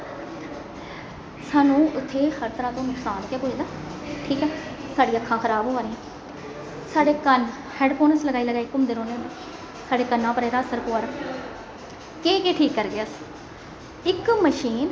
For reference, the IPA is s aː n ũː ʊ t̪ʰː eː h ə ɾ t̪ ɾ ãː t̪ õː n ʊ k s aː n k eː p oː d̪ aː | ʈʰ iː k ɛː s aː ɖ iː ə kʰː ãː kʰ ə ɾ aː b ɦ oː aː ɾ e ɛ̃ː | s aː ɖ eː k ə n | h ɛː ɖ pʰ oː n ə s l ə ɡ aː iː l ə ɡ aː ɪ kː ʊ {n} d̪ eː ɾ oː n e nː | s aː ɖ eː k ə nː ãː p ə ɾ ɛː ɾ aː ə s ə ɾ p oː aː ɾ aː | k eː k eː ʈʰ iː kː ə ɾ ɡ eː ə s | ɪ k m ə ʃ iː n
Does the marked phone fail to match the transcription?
yes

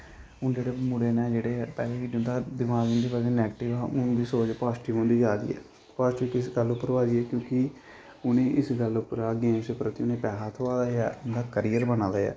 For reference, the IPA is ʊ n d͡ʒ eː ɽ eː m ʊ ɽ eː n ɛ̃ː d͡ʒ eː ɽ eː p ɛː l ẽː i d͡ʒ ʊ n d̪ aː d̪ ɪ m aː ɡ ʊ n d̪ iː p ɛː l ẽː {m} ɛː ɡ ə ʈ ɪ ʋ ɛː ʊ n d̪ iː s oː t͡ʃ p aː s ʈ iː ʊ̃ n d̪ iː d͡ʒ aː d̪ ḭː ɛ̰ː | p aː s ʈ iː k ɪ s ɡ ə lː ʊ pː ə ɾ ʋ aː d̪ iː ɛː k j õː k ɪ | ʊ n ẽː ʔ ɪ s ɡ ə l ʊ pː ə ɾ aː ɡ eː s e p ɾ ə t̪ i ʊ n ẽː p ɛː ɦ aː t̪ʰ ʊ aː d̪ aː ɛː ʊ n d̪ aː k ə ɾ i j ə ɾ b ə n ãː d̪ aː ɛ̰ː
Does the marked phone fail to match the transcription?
yes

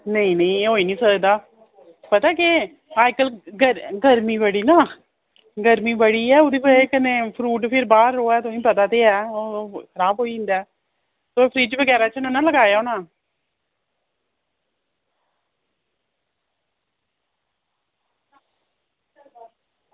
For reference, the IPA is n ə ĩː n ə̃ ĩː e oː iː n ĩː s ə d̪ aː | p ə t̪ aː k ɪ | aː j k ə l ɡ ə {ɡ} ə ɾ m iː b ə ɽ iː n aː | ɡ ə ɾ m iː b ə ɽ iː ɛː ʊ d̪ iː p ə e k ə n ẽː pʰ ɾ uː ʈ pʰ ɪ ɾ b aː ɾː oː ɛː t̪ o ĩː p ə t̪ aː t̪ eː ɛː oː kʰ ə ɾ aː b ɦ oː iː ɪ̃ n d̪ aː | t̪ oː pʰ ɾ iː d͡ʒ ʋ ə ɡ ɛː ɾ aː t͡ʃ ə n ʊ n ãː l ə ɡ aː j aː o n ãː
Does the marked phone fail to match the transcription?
no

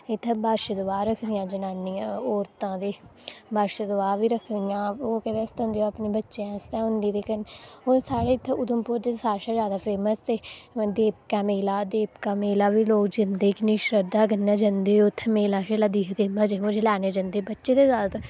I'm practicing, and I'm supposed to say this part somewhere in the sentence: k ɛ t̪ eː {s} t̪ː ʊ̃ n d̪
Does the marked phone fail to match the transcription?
no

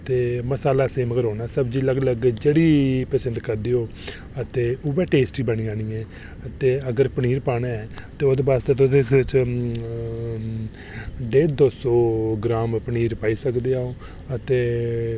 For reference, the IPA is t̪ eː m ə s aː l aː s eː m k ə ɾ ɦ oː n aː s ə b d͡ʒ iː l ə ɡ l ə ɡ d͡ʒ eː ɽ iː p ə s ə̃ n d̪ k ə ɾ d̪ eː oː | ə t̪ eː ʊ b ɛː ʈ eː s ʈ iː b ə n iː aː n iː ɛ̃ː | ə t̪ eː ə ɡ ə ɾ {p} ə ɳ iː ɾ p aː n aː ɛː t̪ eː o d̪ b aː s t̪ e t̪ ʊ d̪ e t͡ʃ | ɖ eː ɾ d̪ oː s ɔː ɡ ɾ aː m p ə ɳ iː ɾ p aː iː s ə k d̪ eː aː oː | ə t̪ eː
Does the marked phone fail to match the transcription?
no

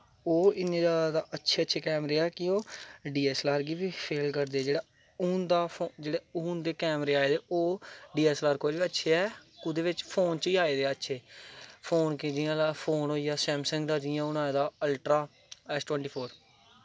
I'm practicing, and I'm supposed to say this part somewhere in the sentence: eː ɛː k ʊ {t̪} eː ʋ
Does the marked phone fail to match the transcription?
yes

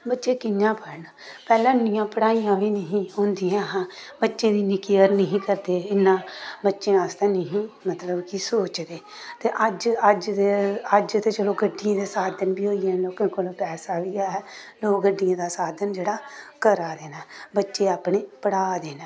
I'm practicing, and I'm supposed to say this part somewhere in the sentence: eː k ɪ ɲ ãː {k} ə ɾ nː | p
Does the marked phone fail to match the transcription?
yes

